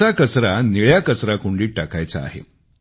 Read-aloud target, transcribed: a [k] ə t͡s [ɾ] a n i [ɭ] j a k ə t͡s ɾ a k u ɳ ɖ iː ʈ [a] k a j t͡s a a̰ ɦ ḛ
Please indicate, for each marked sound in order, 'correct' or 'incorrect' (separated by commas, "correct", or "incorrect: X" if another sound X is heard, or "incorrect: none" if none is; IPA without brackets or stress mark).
correct, correct, correct, correct